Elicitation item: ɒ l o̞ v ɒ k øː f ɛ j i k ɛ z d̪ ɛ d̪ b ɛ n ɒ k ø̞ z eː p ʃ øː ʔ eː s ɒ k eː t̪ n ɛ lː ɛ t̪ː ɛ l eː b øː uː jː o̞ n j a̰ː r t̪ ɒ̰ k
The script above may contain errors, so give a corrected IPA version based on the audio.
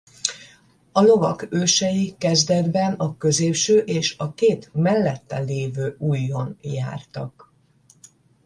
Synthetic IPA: ɒ l o̞ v ɒ k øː ʃ ɛ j i k ɛ z d̪ ɛ d̪ b ɛ n ɒ k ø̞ z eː p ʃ øː ʔ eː ʃ ɒ k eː t̪ m ɛ lː ɛ t̪ː ɛ l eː v øː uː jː o̞ n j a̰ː r t̪ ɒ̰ k